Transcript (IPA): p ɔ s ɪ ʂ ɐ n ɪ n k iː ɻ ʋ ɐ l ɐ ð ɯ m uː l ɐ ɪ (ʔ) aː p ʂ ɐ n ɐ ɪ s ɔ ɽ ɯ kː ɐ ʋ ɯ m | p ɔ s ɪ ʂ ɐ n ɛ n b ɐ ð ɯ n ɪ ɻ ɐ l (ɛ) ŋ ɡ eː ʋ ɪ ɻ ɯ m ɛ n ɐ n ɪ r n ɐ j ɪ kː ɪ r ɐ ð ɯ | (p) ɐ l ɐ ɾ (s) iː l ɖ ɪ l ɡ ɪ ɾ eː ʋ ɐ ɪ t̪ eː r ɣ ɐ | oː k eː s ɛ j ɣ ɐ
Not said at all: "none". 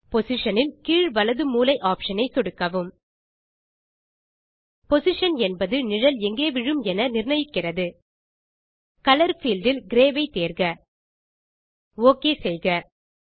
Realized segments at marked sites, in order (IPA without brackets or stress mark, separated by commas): ʔ, ɛ, k, f